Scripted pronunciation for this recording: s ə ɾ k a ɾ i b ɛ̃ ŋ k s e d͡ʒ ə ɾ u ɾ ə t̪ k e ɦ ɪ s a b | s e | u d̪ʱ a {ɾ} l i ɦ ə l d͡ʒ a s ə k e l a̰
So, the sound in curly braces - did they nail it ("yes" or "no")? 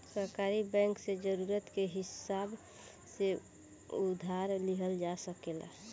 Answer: yes